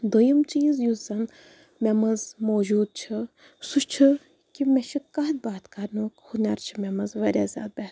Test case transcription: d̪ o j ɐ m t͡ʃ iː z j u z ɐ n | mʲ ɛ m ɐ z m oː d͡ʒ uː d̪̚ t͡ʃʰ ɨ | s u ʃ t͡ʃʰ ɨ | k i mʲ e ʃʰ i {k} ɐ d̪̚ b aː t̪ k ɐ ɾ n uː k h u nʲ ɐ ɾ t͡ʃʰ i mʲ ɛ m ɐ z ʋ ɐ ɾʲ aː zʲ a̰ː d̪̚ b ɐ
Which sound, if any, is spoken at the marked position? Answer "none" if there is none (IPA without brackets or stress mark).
k